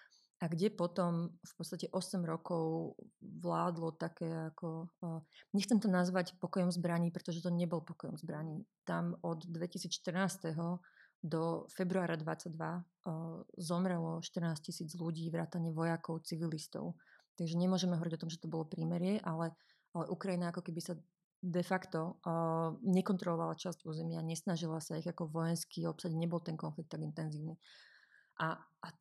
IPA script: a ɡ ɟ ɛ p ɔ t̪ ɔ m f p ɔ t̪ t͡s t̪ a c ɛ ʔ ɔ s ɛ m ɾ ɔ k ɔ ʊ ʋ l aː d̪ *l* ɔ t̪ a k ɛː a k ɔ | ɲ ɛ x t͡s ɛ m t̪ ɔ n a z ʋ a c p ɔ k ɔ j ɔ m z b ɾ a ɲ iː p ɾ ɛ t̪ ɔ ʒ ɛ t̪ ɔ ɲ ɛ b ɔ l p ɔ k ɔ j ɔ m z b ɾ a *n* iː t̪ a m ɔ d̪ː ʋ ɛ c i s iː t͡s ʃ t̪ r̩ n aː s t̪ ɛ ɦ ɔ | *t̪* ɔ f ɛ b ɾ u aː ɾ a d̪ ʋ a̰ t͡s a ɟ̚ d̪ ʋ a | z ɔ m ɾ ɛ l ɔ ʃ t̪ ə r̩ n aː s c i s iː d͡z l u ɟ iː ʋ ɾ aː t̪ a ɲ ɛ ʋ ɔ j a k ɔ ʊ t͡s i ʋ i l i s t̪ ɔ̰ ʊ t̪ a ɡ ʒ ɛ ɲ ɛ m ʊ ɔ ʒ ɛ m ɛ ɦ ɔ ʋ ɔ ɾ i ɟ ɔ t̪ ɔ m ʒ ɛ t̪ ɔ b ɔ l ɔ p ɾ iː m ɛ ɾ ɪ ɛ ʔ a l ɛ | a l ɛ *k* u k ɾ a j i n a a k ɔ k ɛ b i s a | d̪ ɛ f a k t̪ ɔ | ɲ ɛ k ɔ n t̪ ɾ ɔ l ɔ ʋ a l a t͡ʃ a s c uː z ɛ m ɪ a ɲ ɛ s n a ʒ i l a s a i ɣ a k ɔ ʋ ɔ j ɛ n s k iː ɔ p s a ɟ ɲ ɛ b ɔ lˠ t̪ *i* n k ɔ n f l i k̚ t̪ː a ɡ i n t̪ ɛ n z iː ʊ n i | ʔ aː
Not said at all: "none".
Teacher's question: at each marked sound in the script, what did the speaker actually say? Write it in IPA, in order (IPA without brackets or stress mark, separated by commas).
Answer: l, ɲ, d̪, ʔ, ɛ